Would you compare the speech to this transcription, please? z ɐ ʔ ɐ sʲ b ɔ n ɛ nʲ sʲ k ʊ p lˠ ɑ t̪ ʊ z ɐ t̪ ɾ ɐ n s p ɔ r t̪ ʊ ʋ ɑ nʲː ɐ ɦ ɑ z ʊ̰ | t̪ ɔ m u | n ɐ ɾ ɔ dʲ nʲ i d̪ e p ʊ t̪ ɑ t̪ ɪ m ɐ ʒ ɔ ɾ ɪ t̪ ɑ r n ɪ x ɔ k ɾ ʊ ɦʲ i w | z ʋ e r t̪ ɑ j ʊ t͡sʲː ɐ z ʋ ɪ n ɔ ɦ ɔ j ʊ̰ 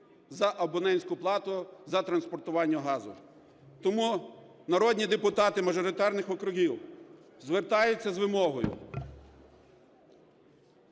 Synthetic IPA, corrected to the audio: z ɐ ʔ ɐ b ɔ n ɛ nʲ sʲ k ʊ p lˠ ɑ t̪ ʊ z ɐ t̪ ɾ ɐ n s p ɔ r t̪ ʊ ʋ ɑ nʲː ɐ ɦ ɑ z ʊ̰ | t̪ ɔ m u | n ɐ ɾ ɔ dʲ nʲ i d̪ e p ʊ t̪ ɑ t̪ ɪ m ɐ ʒ ɔ ɾ ɪ t̪ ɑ r n ɪ x ɔ k ɾ ʊ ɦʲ i w | z ʋ e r t̪ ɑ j ʊ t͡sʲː ɐ z ʋ ɪ m ɔ ɦ ɔ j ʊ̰